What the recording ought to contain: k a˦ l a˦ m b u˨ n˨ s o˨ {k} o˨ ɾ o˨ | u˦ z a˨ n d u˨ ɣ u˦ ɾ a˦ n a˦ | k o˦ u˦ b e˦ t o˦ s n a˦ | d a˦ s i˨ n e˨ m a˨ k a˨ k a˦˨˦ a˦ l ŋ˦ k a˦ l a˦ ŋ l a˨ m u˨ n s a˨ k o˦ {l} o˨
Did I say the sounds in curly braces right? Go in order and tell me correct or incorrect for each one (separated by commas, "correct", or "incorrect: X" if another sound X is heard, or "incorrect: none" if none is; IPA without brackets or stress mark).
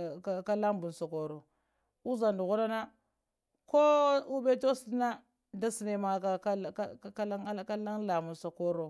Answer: correct, incorrect: ɾ